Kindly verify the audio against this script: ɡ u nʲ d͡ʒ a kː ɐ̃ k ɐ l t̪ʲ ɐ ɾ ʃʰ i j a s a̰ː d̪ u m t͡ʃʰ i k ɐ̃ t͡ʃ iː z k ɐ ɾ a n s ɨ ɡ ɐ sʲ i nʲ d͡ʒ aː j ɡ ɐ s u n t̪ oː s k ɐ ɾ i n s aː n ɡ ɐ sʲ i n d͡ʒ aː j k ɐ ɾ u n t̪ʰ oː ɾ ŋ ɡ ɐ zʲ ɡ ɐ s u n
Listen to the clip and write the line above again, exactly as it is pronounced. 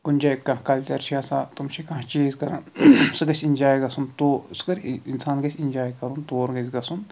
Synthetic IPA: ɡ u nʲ d͡ʒ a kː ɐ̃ k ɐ l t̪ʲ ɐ ɾ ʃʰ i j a s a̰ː t̪ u m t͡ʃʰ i k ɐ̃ t͡ʃ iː z k ɐ ɾ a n s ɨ ɡ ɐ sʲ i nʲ d͡ʒ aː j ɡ ɐ s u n t̪ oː s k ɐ ɾ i n s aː n ɡ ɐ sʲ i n d͡ʒ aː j k ɐ ɾ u n t̪ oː ɾ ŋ ɡ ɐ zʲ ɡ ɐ s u n